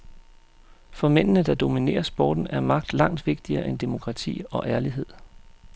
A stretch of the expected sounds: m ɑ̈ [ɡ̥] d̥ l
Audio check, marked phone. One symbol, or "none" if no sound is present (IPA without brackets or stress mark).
ɡ̥